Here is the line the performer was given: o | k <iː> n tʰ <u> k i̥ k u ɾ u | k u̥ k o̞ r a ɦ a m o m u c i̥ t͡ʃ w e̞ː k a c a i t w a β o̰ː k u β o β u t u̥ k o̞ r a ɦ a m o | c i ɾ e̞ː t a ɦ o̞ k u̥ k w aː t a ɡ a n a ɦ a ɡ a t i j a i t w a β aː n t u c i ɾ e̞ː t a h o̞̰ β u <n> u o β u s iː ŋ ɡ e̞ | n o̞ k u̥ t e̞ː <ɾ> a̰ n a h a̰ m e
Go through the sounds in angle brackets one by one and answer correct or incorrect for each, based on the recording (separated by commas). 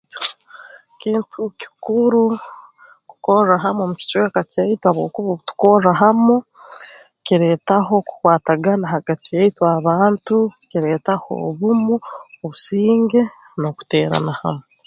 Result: correct, correct, incorrect, correct